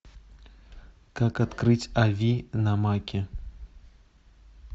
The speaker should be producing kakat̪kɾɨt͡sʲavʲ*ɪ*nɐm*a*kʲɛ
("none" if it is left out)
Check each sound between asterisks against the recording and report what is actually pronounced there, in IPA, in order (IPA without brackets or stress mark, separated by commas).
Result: i, a